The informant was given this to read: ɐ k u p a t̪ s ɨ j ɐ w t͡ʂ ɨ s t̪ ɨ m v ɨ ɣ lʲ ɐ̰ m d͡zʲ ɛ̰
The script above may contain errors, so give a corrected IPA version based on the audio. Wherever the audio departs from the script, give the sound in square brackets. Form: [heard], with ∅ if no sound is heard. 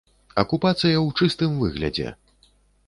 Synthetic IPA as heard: ɐ k u p a t̪ s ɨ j ɐ w t͡ʂ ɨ s t̪ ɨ m v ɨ ɣ lʲ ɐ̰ [∅] d͡zʲ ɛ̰